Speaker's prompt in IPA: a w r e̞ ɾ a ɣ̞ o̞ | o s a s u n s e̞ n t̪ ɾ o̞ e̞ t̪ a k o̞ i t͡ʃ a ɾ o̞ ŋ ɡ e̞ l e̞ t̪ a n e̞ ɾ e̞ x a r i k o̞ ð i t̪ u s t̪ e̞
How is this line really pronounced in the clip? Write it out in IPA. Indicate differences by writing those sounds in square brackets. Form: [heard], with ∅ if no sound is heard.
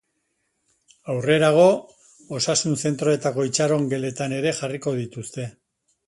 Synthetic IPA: a w r e̞ ɾ a ɣ̞ o̞ | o s a s u n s e̞ n t̪ ɾ o̞ e̞ t̪ a k o̞ i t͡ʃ a ɾ o̞ ŋ ɡ e̞ l e̞ t̪ a n e̞ ɾ e̞ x a r i k o̞ ð i t̪ u s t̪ e̞